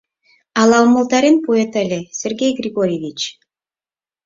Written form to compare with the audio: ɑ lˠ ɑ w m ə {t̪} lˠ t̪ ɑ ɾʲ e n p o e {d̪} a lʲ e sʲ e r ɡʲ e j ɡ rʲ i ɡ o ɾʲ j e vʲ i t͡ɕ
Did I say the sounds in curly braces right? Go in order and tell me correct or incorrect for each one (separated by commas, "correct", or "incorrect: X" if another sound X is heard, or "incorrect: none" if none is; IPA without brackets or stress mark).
incorrect: none, incorrect: t̪